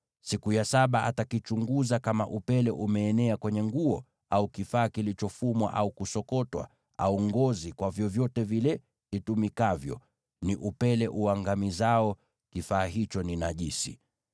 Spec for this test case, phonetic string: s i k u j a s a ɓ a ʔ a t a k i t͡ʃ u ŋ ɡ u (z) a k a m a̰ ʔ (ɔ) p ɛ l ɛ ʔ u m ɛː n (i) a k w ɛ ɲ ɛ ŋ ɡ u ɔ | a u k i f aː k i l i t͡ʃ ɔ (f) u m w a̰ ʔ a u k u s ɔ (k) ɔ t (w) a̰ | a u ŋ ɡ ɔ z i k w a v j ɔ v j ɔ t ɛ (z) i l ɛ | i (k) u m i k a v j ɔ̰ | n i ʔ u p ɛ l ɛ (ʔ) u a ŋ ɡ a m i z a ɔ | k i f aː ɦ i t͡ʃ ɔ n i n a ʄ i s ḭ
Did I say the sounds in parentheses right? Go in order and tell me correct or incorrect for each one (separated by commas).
correct, incorrect, incorrect, correct, correct, correct, incorrect, incorrect, correct